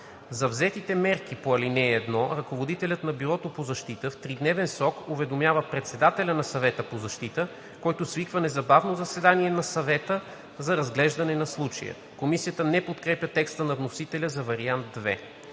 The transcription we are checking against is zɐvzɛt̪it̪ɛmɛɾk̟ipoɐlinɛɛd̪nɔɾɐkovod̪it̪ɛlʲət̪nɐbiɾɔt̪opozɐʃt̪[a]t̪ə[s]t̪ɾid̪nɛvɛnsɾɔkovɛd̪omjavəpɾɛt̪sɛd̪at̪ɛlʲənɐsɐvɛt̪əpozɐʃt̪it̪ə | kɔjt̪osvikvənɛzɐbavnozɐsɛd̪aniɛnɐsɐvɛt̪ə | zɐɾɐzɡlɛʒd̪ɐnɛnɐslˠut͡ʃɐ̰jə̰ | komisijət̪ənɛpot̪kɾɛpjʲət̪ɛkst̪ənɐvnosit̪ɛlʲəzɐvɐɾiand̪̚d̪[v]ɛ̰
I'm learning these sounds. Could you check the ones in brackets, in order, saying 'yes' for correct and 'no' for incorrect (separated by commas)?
no, no, yes